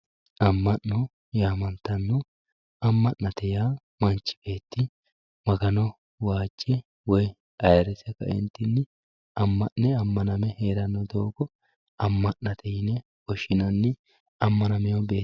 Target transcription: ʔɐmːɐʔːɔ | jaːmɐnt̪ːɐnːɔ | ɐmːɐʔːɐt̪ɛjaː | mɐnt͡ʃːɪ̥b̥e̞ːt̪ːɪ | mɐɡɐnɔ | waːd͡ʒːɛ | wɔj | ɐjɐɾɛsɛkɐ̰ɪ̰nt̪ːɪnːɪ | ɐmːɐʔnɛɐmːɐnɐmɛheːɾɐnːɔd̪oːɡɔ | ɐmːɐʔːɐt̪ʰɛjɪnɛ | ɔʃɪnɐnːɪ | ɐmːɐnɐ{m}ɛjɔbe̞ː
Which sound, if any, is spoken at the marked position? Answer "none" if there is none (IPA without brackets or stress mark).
m